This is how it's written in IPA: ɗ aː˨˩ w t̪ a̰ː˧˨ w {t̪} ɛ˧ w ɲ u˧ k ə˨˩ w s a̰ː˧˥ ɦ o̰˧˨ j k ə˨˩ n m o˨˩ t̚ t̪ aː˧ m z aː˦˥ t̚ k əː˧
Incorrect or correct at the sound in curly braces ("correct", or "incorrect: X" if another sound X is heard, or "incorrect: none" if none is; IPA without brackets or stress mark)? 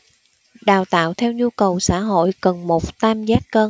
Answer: incorrect: t̪ʰ